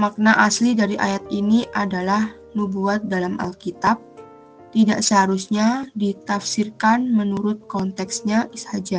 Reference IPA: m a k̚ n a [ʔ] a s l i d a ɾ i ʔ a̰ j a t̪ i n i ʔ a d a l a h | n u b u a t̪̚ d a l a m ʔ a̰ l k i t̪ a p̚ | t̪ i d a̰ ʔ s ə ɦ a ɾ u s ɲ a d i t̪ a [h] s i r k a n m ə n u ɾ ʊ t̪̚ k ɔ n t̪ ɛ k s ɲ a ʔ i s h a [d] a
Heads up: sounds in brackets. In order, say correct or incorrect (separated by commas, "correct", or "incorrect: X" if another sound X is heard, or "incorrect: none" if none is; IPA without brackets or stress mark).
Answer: correct, incorrect: f, incorrect: d͡ʒ